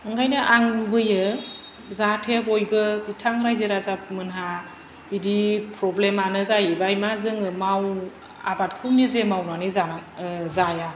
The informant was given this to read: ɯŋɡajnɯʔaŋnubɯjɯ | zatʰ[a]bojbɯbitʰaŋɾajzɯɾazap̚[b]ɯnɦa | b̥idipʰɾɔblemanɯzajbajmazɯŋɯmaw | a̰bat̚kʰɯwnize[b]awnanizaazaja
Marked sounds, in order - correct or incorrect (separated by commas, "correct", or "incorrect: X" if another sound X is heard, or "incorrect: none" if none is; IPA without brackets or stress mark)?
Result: incorrect: e, incorrect: m, incorrect: m